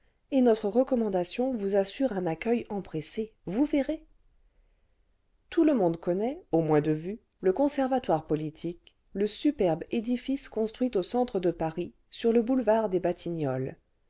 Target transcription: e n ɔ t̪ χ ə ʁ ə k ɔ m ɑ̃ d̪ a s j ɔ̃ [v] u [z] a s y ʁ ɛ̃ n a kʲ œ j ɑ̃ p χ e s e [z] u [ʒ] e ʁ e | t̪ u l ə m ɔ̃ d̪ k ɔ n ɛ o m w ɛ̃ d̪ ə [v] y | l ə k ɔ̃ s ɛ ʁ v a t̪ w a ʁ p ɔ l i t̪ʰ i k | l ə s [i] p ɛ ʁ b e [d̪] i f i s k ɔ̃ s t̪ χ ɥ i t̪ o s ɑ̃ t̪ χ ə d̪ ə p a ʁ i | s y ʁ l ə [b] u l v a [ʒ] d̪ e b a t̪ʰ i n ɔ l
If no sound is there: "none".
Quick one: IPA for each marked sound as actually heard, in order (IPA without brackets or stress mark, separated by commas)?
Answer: v, z, v, v, v, y, d̪, b, ʁ